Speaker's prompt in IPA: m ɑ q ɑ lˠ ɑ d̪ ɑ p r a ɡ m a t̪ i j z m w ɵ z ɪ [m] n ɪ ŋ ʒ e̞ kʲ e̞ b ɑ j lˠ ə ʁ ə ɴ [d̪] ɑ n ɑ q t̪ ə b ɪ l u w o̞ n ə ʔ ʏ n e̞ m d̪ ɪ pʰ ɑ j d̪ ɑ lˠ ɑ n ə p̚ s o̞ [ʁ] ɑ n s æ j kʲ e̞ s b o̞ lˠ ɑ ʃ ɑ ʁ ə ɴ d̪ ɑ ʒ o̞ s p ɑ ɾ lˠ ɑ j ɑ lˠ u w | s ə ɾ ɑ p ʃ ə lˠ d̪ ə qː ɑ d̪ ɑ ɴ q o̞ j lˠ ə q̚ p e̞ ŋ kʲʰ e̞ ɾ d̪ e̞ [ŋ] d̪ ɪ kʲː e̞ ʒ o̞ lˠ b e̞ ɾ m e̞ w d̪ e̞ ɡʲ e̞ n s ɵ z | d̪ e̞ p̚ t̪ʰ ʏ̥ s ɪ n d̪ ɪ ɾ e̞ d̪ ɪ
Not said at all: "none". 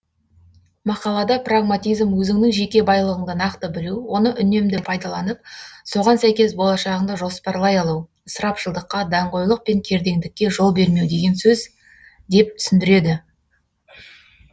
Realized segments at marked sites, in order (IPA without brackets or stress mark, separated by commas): ŋ, d̪, ʁ, ŋ